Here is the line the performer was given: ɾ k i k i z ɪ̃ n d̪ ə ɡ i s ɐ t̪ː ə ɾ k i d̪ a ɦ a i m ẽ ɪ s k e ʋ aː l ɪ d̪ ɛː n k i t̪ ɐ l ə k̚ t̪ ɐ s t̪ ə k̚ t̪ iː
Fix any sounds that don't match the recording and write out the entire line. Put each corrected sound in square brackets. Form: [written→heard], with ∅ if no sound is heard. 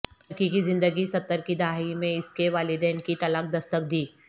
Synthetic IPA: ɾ k i k i z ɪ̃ n d̪ ə ɡ i s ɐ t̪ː ə ɾ k i d̪ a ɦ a i m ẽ ɪ s k e ʋ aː l ɪ d̪ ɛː n k i t̪ ɐ l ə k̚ [t̪→d̪] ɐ s t̪ ə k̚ [t̪→d̪] iː